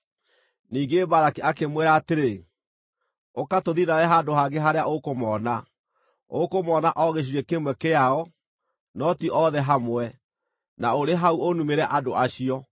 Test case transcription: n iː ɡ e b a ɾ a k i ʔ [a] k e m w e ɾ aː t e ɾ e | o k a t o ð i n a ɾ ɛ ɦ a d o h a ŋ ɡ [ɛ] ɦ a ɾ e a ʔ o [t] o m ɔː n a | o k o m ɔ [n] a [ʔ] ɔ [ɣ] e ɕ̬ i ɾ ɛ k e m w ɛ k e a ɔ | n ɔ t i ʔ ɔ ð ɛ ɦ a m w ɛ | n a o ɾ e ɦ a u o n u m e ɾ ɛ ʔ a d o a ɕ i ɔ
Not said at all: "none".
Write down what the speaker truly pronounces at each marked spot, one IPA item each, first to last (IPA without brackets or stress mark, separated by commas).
a, e, k, n, ʔ, ɣ